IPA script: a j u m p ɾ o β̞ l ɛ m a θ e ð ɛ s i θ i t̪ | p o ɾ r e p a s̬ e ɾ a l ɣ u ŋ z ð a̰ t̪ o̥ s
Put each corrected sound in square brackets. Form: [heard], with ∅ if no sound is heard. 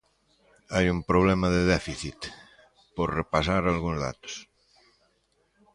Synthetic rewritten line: a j u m p ɾ o β̞ l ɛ m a [ð] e ð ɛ [f] i θ i t̪ | p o ɾ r e p a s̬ [a] ɾ a l ɣ u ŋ z ð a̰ t̪ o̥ s

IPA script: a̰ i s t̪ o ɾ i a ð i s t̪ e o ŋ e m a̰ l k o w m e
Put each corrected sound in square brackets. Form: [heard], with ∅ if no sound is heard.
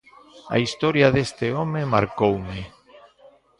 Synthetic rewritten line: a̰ i s t̪ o ɾ [j] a ð [e] s t̪ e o [m] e m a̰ [ɾ] k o w m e

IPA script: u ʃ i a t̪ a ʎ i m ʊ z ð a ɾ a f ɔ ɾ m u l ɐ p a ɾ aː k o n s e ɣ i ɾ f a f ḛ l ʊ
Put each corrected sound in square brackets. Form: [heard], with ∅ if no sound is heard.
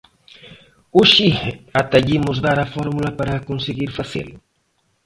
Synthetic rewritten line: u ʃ i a t̪ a ʎ i m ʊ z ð a ɾ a f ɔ ɾ m u l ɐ p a ɾ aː k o n s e ɣ i ɾ f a [θ] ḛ l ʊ

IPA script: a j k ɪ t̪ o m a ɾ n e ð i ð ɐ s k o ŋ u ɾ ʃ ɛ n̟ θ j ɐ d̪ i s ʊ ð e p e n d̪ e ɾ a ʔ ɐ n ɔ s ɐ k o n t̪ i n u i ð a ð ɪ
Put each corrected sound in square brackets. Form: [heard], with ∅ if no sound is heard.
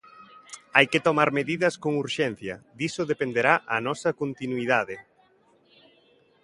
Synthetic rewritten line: a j k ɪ t̪ o m a ɾ [m] e ð i ð ɐ s k o ŋ u ɾ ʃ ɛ n̟ θ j ɐ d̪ i s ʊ ð e p e n d̪ e ɾ a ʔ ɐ n ɔ s ɐ k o n t̪ i n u i ð a ð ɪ

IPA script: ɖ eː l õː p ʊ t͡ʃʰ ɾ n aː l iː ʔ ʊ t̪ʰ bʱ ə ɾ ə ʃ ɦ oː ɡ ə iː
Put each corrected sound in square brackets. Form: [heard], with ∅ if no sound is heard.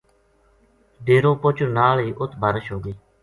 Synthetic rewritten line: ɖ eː [ɾ] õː p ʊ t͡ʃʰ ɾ n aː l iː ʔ ʊ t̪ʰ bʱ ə ɾ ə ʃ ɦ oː ɡ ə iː

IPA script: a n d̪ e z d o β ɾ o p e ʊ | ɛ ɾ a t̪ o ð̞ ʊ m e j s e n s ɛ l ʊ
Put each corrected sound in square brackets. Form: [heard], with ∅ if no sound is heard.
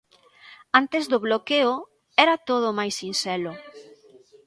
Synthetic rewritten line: a n [t̪] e z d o β [l] o [k] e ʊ | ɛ ɾ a t̪ o ð̞ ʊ m [a] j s [i] n s ɛ l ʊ

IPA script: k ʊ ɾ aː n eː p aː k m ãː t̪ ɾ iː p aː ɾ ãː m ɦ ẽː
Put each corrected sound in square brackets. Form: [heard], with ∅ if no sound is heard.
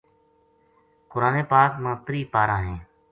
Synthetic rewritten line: k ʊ ɾ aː n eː p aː k m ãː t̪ ɾ iː p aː ɾ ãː [∅] ɦ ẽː

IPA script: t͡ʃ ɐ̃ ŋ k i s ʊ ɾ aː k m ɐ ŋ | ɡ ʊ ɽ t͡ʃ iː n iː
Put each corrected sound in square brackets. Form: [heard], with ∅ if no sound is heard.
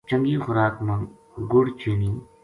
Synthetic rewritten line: t͡ʃ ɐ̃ ŋ [ɡ] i [x] ʊ ɾ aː k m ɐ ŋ | ɡ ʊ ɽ t͡ʃ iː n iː

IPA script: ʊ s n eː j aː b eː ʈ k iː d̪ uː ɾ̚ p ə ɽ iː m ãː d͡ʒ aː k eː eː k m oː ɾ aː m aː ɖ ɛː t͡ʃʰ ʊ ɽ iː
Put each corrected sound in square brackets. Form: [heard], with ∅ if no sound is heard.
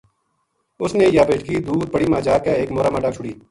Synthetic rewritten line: ʊ s n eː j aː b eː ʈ k iː d̪ uː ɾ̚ p ə ɽ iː m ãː d͡ʒ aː k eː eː k m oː ɾ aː m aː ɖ [aː] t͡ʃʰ ʊ ɽ iː

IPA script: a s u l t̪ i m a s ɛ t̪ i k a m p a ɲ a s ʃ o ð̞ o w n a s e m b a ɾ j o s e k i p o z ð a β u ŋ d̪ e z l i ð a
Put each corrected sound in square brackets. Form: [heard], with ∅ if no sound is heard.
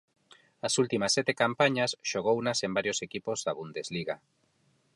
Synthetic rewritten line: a s u l t̪ i m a s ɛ t̪ [e] k a m p a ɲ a s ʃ o [ɣ̞] o w n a s e m b a ɾ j o s e k i p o z ð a β u [n] d̪ e z l i [ɣ] a

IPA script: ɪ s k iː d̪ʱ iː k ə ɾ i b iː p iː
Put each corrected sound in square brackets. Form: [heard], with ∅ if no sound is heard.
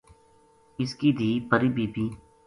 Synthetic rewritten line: ɪ s k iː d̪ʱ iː [p] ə ɾ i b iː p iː

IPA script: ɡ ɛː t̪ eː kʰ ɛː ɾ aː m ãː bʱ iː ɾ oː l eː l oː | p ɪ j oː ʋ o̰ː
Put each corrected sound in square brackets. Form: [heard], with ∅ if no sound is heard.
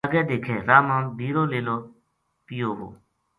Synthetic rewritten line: ɡ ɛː [d̪] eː kʰ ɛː ɾ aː m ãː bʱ iː ɾ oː l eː l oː | p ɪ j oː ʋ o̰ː

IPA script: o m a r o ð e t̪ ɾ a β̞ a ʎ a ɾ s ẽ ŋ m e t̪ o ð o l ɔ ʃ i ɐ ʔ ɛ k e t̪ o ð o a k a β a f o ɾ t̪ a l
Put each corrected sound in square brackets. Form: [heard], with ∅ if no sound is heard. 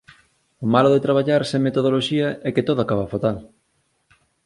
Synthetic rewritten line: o m a [l] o ð e t̪ ɾ a β̞ a ʎ a ɾ s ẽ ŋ m e t̪ o ð o l [o] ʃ i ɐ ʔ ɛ k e t̪ o ð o a k a β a f o [∅] t̪ a l

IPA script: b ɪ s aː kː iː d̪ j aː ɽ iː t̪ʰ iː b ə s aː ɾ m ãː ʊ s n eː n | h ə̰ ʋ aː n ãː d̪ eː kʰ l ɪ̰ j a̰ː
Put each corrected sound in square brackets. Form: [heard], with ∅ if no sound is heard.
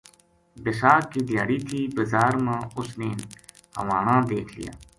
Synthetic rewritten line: b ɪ s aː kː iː d̪ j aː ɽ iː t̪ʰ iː b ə [z] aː ɾ m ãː ʊ s n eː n | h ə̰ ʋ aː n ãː d̪ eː kʰ l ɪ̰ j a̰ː

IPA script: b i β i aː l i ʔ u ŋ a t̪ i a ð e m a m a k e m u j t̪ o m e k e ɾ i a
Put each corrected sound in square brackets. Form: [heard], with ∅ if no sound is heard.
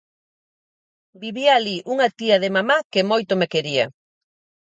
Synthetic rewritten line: b i β i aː l i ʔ u ŋ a t̪ i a ð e m a m a k e m [o] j t̪ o m e k e ɾ i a

